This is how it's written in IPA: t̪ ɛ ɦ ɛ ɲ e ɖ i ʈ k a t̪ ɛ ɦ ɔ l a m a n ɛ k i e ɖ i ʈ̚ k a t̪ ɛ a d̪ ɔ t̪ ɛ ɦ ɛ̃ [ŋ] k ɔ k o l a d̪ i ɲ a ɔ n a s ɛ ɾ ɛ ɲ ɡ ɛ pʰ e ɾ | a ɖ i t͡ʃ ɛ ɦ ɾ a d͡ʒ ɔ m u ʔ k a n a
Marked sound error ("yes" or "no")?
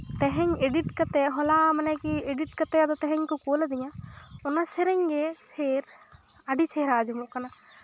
yes